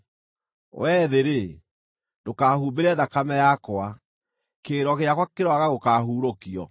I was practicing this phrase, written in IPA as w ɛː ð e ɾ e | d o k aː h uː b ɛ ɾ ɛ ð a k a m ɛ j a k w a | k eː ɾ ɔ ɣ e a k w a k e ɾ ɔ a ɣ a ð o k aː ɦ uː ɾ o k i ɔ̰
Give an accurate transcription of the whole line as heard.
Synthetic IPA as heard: w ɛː ð e ɾ e | d o k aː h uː b e ɾ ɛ ð a k a m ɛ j a k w a | k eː ɾ ɔ ɣ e a k w a k e ɾ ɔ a ɣ a ɣ o k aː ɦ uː ɾ o k i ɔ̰